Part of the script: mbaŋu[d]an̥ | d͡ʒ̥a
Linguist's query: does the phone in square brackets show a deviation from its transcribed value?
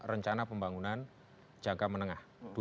yes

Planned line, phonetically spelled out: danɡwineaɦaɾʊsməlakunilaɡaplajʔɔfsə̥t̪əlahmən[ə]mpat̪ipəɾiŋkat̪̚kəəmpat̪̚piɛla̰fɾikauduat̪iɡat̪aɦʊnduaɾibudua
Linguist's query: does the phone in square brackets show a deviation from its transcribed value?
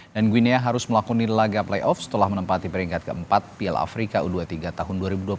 no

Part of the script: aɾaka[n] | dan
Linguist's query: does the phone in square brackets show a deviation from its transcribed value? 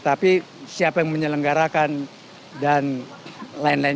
no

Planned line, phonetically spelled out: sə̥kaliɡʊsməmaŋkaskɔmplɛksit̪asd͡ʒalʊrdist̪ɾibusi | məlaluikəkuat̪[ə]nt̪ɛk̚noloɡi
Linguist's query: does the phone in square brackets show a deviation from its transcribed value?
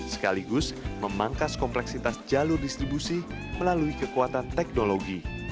yes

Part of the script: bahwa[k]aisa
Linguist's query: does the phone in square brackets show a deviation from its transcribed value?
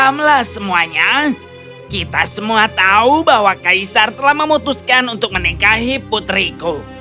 no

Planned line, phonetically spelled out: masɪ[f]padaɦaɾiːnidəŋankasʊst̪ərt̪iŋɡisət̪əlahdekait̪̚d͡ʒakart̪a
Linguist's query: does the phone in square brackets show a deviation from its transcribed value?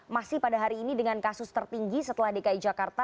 yes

